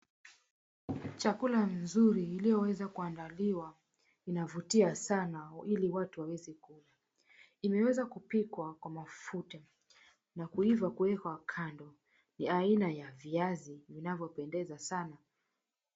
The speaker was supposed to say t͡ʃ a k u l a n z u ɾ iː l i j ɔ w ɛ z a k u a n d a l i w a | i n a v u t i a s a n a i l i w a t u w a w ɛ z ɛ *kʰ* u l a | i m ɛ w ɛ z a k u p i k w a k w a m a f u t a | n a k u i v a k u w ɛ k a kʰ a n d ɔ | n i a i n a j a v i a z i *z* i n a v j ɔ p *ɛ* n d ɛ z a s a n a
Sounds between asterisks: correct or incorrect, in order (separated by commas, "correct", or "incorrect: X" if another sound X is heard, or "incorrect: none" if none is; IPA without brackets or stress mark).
incorrect: k, incorrect: v, correct